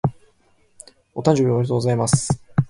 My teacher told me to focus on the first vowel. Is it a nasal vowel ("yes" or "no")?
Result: no